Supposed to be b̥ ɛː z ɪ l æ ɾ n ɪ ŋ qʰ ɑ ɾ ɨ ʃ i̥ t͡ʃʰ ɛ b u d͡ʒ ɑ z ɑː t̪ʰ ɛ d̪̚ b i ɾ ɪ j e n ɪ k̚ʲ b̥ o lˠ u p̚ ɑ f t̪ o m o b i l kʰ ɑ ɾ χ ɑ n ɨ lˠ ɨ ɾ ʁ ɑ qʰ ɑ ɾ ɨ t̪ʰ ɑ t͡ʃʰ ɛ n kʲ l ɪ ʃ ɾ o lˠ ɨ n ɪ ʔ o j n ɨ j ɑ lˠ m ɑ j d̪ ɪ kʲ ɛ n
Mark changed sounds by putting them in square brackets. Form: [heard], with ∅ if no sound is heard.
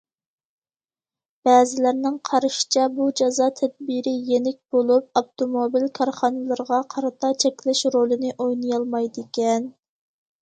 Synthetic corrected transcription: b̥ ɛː z ɪ l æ ɾ n ɪ ŋ qʰ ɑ ɾ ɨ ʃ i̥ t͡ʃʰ ɛ b u d͡ʒ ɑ z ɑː t̪ʰ ɛ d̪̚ b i ɾ ɪ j e n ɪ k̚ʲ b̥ o lˠ u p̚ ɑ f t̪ o m o b i l kʰ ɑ ɾ χ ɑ n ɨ lˠ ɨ ɾ ʁ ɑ qʰ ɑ ɾ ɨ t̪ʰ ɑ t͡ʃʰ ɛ [∅] kʲ l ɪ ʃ ɾ o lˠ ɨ n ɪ ʔ o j n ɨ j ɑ lˠ m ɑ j d̪ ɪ kʲ ɛ n